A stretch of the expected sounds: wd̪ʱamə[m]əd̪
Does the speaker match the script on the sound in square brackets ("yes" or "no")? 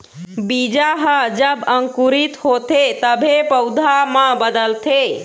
no